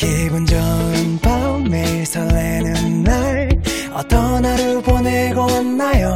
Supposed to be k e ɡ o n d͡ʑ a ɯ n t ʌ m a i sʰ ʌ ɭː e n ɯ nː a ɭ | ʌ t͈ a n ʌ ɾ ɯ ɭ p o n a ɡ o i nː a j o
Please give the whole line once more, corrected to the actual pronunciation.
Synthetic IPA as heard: k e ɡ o n d͡ʑ ʌ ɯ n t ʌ m e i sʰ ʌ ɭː e n ɯ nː a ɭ | ʌ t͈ ʌ n a ɾ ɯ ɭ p o n e ɡ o a nː a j o